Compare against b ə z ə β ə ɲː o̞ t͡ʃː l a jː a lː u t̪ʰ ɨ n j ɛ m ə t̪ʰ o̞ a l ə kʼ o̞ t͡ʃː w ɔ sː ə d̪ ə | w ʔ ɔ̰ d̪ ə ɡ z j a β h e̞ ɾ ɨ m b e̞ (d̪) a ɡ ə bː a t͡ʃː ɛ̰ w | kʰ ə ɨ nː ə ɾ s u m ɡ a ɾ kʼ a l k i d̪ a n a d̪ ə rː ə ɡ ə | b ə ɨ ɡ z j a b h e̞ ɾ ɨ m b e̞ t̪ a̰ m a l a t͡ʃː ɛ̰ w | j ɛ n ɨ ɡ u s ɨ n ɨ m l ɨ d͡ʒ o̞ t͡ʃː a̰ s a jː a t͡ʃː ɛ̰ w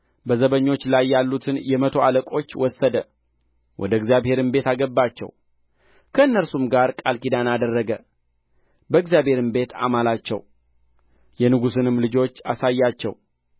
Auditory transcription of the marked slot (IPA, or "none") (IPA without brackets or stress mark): t̪